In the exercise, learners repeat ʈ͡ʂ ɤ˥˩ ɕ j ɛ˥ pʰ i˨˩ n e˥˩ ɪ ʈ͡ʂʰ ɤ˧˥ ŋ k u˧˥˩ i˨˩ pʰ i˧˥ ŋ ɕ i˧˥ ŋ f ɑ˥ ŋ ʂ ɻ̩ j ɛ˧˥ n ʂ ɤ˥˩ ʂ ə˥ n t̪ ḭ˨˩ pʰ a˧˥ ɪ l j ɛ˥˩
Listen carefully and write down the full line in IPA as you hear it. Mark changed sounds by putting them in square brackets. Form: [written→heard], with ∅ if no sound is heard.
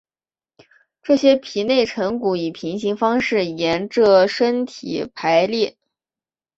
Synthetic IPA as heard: ʈ͡ʂ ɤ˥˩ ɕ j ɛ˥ pʰ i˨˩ n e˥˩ ɪ ʈ͡ʂʰ ɤ˧˥ ŋ k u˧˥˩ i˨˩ pʰ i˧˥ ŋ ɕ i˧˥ ŋ f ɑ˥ ŋ ʂ ɻ̩ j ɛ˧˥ n [ʂ→ʈ͡ʂ] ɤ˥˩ ʂ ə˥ n [t̪→t̪ʰ] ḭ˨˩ pʰ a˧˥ ɪ l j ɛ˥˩